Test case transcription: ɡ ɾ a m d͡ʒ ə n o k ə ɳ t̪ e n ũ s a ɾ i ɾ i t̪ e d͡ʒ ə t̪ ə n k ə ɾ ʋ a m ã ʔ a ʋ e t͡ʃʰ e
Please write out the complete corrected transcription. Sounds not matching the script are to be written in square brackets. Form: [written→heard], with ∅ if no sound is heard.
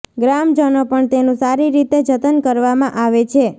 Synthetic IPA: ɡ ɾ a m d͡ʒ ə n o [k→p] ə ɳ t̪ e n ũ s a ɾ i ɾ i t̪ e d͡ʒ ə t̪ ə n k ə ɾ ʋ a m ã ʔ a ʋ e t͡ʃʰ e

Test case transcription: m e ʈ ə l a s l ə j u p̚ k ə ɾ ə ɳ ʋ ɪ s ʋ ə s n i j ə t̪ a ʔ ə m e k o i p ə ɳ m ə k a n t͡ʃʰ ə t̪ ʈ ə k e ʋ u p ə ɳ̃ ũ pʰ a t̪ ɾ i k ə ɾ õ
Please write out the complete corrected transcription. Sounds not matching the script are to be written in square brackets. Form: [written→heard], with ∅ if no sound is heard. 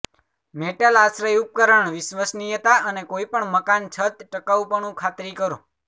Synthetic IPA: m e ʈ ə l a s [l→ɾ] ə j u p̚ k ə ɾ ə ɳ ʋ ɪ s ʋ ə s n i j ə t̪ a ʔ ə [m→n] e k o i p ə ɳ m ə k a n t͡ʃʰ ə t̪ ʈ ə k [e→a] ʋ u p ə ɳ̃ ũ [pʰ→kʰ] a t̪ ɾ i k ə ɾ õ

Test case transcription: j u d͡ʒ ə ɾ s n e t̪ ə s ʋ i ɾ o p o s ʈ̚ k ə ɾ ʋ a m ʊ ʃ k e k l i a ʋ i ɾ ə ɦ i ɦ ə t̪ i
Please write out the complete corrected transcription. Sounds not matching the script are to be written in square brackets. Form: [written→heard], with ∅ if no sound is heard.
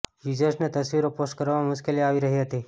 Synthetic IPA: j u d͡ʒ ə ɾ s n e t̪ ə s ʋ i ɾ o p o s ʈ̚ k ə ɾ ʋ a m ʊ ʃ k e [k→∅] l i a ʋ i ɾ ə ɦ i ɦ ə t̪ i

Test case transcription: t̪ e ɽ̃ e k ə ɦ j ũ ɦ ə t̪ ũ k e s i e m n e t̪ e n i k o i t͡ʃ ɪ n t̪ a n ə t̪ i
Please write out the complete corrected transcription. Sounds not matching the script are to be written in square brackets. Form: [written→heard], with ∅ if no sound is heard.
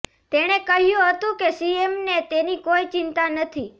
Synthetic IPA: t̪ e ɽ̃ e k ə ɦ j ũ ɦ ə t̪ ũ k e s i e m n e t̪ e n i k o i t͡ʃ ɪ n t̪ a n ə [t̪→t̪ʰ] i

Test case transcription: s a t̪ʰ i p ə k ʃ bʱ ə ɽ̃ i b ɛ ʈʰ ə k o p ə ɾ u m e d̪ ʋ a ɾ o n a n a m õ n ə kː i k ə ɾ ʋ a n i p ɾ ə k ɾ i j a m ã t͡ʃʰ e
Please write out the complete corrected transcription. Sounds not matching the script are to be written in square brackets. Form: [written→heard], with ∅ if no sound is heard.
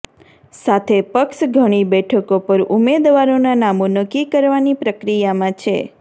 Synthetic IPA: s a t̪ʰ [i→e] p ə k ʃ [bʱ→ɡʱ] ə ɽ̃ i b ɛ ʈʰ ə k o p ə ɾ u m e d̪ ʋ a ɾ o n a n a m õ n ə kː i k ə ɾ ʋ a n i p ɾ ə k ɾ i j a m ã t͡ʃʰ e

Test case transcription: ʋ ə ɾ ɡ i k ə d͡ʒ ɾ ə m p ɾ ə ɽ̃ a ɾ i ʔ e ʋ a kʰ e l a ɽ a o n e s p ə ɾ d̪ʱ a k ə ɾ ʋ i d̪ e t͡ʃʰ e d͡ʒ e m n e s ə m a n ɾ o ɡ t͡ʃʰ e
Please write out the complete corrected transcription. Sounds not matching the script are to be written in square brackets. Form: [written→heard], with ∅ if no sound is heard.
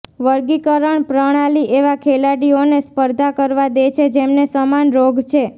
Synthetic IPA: ʋ ə ɾ ɡ i k ə [d͡ʒ→∅] ɾ ə [m→ɳ] p ɾ ə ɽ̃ a [ɾ→l] i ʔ e ʋ a kʰ e l a ɽ [a→i] o n e s p ə ɾ d̪ʱ a k ə ɾ ʋ [i→a] d̪ e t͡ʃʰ e d͡ʒ e m n e s ə m a n ɾ o ɡ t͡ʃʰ e

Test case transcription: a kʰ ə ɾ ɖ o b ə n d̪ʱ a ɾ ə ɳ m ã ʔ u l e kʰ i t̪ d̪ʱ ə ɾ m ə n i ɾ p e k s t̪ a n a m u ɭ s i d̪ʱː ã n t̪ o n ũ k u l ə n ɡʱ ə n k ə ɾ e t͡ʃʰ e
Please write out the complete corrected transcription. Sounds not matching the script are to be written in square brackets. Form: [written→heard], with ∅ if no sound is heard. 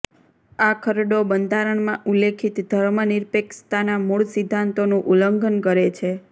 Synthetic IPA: a kʰ ə ɾ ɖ o b ə n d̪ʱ a ɾ ə ɳ m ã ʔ u l e kʰ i t̪ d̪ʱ ə ɾ m ə n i ɾ p e k s t̪ a n a m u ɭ s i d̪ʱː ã n t̪ o n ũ [k→ʔ] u l ə [n→ŋ] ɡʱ ə n k ə ɾ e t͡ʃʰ e

